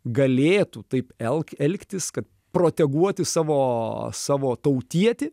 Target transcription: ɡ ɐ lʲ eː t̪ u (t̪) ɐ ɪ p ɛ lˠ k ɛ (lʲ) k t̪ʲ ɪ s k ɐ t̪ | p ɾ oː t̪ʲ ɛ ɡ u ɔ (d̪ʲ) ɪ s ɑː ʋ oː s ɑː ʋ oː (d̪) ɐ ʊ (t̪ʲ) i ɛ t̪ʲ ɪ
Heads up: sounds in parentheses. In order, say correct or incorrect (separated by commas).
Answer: correct, correct, incorrect, incorrect, correct